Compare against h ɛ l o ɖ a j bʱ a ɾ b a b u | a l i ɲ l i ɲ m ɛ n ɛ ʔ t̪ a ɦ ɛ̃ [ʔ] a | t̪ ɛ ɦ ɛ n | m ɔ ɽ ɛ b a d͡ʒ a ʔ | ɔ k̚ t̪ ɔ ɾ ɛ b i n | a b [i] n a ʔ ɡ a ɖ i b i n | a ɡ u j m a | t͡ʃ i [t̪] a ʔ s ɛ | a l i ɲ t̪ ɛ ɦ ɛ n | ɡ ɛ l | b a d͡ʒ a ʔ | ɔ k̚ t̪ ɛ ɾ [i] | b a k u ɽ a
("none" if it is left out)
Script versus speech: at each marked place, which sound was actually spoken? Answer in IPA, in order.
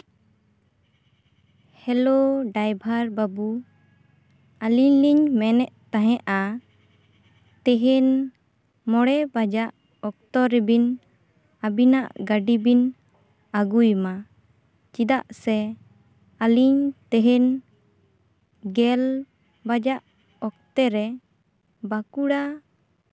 ʔ, i, d̪, ɛ

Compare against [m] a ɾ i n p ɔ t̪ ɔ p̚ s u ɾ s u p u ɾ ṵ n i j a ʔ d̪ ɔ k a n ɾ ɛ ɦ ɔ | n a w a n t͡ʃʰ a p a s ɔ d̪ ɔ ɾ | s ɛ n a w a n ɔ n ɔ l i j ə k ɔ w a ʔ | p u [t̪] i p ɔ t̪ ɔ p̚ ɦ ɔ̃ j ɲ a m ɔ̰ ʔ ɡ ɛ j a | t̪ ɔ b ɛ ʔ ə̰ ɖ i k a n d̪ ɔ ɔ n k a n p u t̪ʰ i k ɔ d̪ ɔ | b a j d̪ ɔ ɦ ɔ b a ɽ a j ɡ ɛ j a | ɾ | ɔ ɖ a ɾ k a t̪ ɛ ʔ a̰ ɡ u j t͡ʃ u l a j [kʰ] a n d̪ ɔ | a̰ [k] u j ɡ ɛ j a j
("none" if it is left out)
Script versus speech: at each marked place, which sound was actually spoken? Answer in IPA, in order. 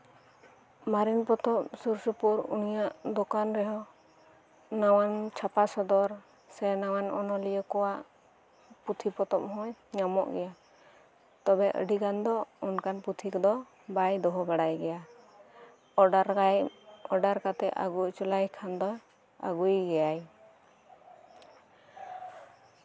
m, t̪ʰ, kʰ, ɡ

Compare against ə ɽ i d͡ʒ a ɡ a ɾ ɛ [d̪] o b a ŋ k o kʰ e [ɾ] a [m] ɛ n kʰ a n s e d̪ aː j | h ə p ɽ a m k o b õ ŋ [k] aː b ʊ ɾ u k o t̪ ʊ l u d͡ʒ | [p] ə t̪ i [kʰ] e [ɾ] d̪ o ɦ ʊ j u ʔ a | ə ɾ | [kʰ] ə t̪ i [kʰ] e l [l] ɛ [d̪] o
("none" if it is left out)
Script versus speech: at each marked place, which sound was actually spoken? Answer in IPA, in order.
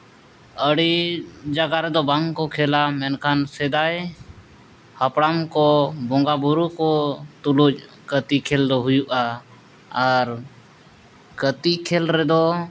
d̪, l, m, ɡ, k, kʰ, l, k, kʰ, ɾ, d̪

